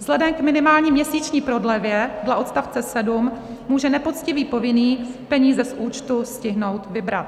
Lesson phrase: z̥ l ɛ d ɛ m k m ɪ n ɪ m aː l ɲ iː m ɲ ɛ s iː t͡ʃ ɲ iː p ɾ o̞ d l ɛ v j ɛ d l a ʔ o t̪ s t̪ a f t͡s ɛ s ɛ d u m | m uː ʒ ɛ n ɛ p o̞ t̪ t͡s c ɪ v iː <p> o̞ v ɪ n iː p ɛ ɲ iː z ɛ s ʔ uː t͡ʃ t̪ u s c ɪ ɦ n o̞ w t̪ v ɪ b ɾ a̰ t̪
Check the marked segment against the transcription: correct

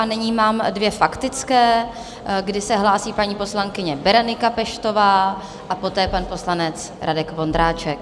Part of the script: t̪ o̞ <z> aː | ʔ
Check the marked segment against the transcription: incorrect: v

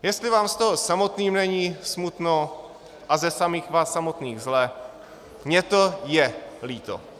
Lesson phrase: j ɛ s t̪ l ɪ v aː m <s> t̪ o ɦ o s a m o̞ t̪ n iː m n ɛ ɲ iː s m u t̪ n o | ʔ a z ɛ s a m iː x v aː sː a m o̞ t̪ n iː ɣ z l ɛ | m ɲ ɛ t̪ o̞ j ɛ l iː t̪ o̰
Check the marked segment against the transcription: correct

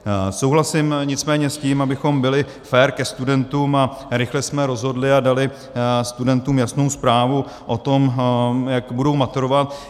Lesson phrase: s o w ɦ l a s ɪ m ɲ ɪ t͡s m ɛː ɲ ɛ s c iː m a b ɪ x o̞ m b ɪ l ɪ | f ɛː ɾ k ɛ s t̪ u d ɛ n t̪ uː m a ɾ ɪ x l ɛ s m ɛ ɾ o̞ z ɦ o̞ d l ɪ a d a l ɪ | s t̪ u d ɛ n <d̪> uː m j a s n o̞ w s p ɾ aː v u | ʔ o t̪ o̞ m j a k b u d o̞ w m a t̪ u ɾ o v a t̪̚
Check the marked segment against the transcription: incorrect: t̪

